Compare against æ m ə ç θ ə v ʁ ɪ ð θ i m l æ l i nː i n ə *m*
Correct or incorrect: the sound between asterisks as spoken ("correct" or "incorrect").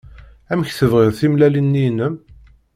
correct